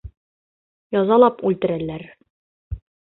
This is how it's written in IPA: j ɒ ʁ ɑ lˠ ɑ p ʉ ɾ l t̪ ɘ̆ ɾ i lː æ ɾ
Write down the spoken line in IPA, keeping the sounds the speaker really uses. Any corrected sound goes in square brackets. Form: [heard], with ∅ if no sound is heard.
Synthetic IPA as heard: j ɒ [z] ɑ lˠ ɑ p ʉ [∅] l t̪ ɘ̆ ɾ [æ] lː æ ɾ